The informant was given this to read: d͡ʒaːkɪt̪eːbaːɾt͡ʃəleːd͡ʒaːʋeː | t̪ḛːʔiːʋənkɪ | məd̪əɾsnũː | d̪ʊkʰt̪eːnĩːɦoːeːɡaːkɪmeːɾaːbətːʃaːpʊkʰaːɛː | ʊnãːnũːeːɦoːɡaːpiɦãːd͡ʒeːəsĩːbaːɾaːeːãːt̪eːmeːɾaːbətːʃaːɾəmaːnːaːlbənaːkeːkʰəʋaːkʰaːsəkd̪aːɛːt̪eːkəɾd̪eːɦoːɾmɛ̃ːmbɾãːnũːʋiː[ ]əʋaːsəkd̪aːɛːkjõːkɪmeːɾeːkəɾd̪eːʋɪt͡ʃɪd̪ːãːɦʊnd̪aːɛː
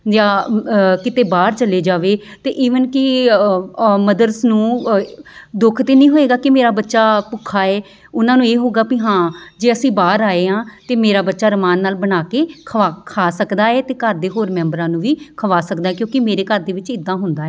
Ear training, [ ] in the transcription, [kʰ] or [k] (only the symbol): kʰ